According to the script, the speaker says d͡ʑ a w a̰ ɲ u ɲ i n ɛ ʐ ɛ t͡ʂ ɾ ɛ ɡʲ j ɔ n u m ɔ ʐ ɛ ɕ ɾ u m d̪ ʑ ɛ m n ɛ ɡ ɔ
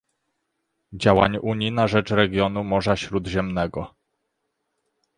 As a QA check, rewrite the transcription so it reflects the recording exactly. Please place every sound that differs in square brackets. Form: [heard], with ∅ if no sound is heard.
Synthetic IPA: d͡ʑ a w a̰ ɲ u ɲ i n [a] ʐ ɛ t͡ʂ ɾ ɛ ɡʲ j ɔ n u m ɔ ʐ [a] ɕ ɾ u [∅] d̪ ʑ ɛ m n ɛ ɡ ɔ